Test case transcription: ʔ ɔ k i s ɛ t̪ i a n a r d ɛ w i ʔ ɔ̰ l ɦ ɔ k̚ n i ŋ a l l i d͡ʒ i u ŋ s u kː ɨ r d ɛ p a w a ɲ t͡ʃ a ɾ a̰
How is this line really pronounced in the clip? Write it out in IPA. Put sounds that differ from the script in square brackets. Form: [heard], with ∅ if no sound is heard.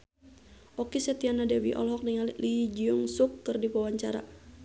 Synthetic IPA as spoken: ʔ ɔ k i s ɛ t̪ i a n a [∅] d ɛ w i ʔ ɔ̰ l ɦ ɔ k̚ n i ŋ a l l i d͡ʒ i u ŋ s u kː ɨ r d [i] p a w a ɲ t͡ʃ a ɾ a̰